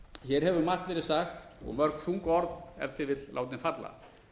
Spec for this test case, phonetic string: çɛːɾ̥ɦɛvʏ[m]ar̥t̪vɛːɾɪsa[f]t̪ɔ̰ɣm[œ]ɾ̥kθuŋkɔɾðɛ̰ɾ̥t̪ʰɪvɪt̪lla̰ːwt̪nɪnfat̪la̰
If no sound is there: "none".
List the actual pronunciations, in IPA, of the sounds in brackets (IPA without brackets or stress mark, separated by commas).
m, x, œ